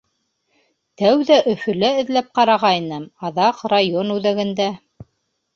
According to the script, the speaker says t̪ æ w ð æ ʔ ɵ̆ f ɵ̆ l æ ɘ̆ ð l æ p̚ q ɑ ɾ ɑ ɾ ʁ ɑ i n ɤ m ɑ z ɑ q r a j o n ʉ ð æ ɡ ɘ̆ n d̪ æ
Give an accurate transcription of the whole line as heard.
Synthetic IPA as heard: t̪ æ w ð æ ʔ ɵ̆ f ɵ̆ l æ ɘ̆ ð l æ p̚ q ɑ ɾ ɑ ʁ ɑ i n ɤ m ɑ ð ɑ q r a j o n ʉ ð æ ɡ ɘ̆ n d̪ æ